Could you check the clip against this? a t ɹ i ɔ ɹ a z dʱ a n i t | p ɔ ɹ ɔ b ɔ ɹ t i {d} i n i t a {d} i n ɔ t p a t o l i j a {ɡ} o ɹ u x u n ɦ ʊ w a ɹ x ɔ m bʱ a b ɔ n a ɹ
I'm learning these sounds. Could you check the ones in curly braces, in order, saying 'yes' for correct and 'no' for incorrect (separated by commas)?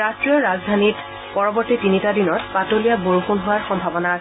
no, yes, no